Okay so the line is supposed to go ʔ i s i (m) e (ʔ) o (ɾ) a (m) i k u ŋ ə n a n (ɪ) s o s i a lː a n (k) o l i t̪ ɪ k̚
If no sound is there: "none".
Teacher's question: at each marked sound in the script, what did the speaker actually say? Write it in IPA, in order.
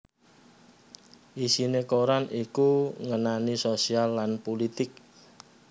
n, k, ɾ, n, i, p

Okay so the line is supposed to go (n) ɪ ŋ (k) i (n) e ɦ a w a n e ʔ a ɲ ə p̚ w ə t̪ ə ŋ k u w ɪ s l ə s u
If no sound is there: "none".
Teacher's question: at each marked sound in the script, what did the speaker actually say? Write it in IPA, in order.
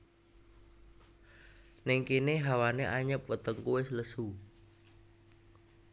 n, k, n

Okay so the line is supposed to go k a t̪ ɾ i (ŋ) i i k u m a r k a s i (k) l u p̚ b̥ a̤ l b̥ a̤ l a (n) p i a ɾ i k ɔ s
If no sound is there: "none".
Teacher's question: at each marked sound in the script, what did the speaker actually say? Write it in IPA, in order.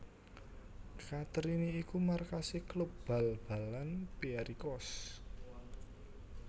n, k, n

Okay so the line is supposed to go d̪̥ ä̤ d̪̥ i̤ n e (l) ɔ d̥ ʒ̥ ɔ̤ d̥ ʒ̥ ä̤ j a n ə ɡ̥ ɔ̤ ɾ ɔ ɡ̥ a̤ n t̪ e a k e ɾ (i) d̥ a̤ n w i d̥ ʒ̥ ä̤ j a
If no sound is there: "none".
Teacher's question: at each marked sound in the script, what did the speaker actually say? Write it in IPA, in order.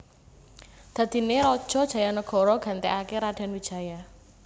ɾ, a

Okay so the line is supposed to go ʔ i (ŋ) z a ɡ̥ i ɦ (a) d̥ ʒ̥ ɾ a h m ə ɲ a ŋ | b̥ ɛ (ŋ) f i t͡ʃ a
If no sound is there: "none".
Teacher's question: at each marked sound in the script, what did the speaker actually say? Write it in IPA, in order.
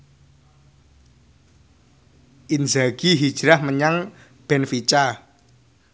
n, i, n

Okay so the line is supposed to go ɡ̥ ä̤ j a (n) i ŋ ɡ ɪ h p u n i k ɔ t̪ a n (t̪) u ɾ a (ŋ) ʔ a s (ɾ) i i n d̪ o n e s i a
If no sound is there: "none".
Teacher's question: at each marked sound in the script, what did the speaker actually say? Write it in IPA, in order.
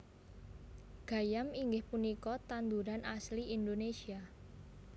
m, d̪, n, l

